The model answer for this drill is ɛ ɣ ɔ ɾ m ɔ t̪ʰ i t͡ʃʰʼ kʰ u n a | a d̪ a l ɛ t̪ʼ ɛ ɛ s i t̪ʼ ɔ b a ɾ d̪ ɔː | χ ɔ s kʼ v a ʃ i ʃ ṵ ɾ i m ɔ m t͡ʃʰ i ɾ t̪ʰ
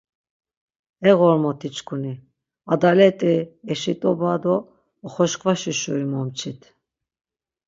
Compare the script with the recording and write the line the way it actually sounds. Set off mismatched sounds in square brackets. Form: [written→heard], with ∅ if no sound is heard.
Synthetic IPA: ɛ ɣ ɔ ɾ m ɔ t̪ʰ i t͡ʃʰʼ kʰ u n [a→i] | a d̪ a l ɛ t̪ʼ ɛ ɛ [s→ʃ] i t̪ʼ ɔ b a [ɾ→∅] d̪ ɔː | χ ɔ [s→ʃ] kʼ v a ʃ i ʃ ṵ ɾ i m ɔ m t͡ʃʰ i [ɾ→∅] t̪ʰ